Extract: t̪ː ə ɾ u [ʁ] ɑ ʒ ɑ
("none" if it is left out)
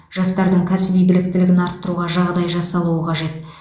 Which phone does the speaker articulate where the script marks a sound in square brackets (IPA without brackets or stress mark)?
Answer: ʁ